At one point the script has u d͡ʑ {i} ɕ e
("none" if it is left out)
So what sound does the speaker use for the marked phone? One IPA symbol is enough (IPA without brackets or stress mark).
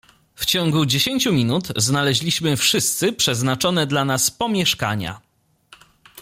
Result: e